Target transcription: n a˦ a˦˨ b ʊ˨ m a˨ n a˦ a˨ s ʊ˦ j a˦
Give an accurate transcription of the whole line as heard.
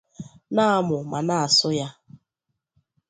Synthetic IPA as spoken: n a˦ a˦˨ m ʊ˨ m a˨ n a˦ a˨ s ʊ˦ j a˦